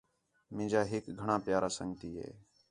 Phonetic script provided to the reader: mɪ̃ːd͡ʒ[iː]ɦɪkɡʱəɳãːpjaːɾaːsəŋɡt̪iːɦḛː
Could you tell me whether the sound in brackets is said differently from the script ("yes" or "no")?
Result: yes